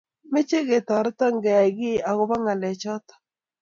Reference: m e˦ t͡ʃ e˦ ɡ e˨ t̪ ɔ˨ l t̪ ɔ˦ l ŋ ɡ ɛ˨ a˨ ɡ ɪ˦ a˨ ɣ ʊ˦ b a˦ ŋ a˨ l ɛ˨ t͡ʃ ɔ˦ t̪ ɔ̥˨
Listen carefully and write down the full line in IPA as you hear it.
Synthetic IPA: m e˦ t͡ʃ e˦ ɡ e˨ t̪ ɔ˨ ɾ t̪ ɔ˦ ŋ ɡ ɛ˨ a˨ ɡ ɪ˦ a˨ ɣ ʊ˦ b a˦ ŋ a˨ l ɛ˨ t͡ʃ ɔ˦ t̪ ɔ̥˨